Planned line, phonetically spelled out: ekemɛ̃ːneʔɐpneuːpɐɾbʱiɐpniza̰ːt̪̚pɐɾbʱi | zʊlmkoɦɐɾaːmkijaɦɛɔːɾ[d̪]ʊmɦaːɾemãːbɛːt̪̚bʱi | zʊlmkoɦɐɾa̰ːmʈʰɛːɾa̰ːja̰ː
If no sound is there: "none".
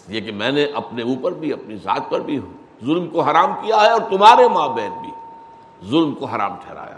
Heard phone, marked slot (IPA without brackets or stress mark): t̪